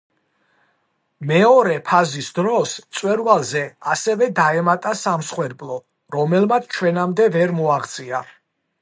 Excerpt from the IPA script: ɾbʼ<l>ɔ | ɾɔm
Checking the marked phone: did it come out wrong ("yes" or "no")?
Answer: no